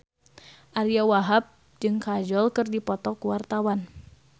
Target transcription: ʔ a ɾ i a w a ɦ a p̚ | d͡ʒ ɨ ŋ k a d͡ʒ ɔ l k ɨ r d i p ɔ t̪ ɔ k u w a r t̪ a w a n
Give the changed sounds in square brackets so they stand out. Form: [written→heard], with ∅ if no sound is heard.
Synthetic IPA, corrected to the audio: ʔ a ɾ i a w a ɦ a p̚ | d͡ʒ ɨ ŋ k a d͡ʒ ɔ l k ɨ r d i p ɔ t̪ ɔ k u w a r t̪ a w a n